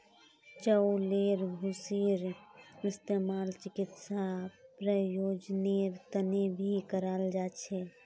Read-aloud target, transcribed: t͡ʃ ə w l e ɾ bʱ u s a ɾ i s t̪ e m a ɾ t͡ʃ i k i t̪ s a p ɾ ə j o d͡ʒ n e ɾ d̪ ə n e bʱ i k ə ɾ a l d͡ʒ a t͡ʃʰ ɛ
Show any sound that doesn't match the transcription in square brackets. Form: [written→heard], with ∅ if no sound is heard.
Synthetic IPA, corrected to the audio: t͡ʃ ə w l e ɾ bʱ u s [a→i] ɾ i s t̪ e m a [ɾ→l] t͡ʃ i k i t̪ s a p ɾ ə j o d͡ʒ n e ɾ [d̪→t̪] ə n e bʱ i k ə ɾ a l d͡ʒ a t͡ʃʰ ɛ